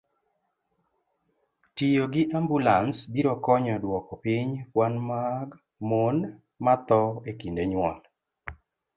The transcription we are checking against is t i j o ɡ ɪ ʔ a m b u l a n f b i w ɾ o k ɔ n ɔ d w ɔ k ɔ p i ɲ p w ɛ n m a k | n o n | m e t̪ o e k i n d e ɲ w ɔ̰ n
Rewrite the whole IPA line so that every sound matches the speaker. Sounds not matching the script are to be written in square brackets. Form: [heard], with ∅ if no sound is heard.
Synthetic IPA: t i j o ɡ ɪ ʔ a m b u l a n [s] b i [∅] ɾ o k ɔ [ɲ] ɔ d w ɔ k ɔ p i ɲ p w [a] n m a [ɡ] | [m] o n | m [a] t̪ [ɔ] e k i n d e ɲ w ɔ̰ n